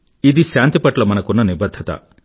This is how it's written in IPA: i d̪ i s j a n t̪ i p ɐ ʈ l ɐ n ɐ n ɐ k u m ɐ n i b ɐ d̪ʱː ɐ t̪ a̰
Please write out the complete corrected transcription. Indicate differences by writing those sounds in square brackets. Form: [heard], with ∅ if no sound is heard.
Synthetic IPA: i d̪ i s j a n t̪ i p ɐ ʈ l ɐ [m] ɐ n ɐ k u [n] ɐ n i b ɐ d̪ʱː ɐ t̪ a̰